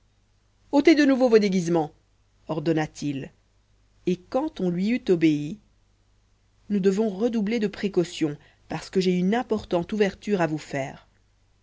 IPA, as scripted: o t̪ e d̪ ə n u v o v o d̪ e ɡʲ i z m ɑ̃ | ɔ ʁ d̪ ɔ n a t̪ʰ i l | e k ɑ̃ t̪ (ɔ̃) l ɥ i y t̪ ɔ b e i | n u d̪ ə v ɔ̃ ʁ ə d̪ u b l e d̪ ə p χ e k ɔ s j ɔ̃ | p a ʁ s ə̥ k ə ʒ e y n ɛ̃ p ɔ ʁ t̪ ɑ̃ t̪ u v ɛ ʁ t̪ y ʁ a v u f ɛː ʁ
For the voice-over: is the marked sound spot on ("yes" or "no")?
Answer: yes